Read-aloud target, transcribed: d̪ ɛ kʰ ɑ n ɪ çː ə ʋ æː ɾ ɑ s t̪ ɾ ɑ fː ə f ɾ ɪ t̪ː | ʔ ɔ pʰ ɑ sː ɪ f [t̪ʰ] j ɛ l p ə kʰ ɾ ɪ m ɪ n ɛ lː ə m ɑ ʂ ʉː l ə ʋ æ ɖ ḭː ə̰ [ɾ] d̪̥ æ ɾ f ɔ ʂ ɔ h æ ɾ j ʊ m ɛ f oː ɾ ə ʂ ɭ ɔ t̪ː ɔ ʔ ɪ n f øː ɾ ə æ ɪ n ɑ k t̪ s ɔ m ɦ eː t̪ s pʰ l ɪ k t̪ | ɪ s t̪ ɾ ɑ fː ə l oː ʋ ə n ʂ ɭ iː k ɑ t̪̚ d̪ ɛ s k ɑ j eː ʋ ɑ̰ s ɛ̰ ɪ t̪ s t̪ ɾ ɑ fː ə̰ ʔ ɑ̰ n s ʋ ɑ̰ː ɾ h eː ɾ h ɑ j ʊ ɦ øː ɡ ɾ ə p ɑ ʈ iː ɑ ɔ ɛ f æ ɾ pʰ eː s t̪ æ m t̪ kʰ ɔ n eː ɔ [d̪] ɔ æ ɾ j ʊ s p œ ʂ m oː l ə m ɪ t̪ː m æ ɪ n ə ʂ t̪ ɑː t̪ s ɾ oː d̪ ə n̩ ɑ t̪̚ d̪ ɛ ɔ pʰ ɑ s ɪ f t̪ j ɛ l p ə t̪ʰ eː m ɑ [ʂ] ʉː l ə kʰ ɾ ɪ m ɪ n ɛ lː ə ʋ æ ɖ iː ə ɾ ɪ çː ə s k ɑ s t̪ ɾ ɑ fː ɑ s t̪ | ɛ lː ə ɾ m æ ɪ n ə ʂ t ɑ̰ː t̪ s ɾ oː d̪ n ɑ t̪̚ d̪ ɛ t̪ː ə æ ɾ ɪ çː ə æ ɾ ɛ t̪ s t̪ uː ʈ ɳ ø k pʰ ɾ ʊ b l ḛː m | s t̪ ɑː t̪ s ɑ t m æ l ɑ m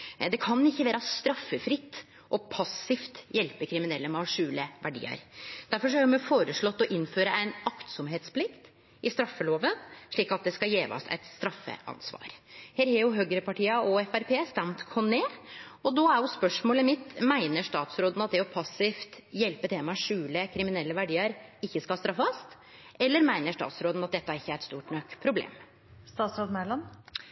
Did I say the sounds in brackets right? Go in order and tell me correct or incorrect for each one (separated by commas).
incorrect, correct, correct, correct